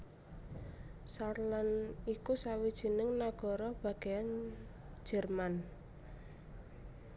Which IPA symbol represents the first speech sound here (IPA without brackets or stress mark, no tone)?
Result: s